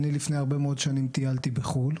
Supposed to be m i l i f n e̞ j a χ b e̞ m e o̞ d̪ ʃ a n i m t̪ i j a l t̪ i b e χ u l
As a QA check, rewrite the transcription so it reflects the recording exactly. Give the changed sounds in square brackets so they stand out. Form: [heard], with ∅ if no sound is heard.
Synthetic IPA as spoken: [n] i l i f n e̞ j a [ʁ] b e̞ m e o̞ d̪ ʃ a n i m t̪ i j a l t̪ i b e χ u l